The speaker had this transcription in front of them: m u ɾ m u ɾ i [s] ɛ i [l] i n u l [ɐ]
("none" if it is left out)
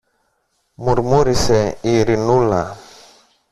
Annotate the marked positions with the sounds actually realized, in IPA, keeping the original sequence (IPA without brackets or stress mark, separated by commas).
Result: s, ɾ, a